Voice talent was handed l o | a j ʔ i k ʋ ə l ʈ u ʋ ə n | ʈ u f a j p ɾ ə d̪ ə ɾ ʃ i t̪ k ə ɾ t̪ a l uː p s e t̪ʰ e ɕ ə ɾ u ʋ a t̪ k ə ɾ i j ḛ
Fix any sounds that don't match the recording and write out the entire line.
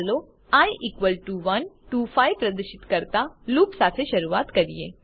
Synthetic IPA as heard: l o | a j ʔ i k ʋ ə l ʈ u ʋ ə n | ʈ u f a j p ɾ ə d̪ ə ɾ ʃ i t̪ k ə ɾ t̪ a l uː p s a t̪ʰ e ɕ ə ɾ u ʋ a t̪ k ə ɾ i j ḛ